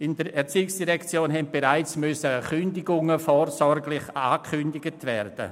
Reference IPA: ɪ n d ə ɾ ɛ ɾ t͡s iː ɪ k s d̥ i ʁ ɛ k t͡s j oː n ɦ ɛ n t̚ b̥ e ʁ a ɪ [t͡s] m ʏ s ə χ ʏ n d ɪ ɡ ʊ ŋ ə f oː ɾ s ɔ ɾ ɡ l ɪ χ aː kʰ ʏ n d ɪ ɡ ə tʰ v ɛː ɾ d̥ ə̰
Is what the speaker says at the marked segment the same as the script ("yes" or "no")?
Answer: yes